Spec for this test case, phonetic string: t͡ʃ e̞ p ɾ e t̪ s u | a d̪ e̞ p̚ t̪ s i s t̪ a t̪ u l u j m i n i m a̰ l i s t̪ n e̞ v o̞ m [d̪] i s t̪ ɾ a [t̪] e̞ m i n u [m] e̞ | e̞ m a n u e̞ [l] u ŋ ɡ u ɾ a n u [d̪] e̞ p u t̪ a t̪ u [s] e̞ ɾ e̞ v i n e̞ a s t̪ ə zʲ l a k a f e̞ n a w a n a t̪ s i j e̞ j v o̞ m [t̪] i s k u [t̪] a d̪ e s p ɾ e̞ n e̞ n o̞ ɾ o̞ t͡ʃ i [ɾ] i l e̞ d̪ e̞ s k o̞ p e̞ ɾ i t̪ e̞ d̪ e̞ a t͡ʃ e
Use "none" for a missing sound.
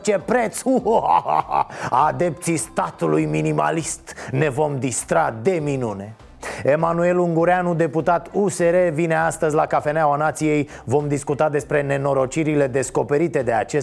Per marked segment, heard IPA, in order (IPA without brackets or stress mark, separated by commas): d̪, d̪, n, l, d̪, s, d̪, t̪, ɾ